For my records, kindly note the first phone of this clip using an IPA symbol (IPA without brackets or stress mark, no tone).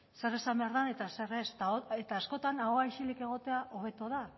s